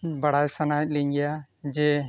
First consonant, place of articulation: labial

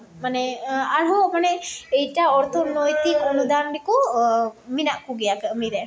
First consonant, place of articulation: labial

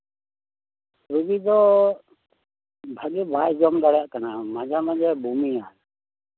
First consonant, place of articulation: alveolar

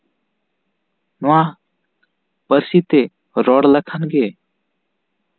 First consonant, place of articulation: alveolar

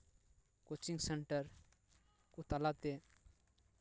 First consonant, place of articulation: velar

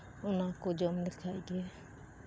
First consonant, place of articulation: alveolar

